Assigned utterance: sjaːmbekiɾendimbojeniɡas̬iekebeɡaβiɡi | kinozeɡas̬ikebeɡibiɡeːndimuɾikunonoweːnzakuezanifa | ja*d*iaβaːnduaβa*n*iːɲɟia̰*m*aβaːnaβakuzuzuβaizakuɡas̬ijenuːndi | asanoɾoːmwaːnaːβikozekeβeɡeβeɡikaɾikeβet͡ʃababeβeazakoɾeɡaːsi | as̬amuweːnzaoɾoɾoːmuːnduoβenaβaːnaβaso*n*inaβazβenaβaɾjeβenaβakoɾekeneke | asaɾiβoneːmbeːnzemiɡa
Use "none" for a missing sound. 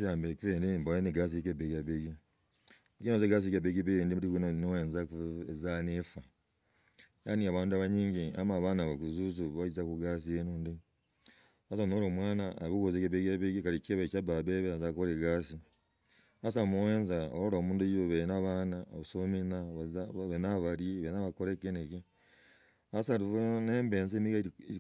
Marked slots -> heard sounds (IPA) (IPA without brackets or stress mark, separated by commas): n, ɲ, m, m